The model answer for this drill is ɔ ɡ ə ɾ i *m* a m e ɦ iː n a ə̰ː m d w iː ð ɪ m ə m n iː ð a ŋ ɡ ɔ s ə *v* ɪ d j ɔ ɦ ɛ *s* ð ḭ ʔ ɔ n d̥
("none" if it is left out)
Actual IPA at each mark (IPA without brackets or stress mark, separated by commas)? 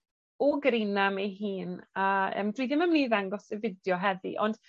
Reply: n, v, none